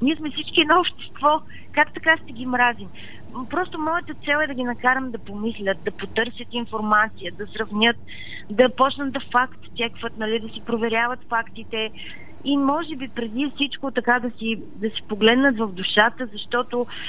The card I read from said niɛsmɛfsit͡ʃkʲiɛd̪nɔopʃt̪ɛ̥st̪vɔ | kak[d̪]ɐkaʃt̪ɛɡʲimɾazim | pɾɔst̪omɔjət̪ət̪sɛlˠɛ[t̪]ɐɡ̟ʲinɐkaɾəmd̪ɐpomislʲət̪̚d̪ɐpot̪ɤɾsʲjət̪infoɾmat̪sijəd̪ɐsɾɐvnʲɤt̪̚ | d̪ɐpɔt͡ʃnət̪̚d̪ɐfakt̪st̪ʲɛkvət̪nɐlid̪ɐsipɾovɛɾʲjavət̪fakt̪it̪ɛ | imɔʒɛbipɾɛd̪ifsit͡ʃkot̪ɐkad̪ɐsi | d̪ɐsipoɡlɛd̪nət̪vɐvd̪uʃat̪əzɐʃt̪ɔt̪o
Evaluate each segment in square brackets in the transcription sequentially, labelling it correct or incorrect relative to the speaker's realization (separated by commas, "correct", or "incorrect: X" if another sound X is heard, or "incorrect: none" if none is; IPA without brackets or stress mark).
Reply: incorrect: t̪, incorrect: d̪